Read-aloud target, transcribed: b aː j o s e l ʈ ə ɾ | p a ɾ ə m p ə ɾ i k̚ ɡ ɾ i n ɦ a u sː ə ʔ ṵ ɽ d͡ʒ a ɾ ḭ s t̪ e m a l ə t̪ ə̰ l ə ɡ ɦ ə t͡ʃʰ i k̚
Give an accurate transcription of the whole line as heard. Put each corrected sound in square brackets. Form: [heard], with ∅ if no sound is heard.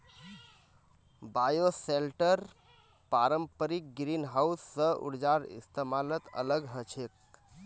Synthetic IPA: b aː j o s e l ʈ ə ɾ | p a ɾ ə m p ə ɾ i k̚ ɡ ɾ i n ɦ a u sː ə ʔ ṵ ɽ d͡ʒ a ɾ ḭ s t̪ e m a l ə t̪ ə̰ l ə ɡ ɦ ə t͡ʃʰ [e] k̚